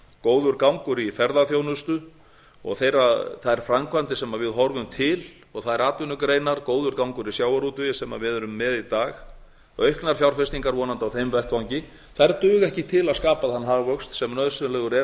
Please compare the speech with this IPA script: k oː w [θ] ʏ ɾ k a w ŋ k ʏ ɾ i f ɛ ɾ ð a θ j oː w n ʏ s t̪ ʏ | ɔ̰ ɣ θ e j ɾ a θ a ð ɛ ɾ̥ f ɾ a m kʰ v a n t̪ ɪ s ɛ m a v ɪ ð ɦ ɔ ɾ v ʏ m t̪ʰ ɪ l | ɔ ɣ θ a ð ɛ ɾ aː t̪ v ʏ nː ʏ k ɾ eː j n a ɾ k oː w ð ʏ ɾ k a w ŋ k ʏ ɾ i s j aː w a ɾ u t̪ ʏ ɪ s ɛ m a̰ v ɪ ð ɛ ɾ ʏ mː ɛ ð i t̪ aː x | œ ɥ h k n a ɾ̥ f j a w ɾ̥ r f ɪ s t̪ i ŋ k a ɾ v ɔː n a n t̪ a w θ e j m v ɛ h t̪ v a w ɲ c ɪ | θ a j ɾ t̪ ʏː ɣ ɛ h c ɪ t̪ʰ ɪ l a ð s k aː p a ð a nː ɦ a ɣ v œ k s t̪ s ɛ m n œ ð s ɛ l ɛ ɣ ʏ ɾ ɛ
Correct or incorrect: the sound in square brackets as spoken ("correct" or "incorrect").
incorrect